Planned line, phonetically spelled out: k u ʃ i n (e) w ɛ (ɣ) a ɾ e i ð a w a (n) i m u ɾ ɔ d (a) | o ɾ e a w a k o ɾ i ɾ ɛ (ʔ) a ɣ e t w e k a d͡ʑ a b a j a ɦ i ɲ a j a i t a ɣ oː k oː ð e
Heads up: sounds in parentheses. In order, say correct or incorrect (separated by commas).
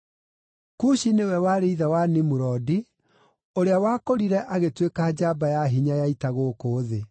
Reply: correct, incorrect, correct, incorrect, correct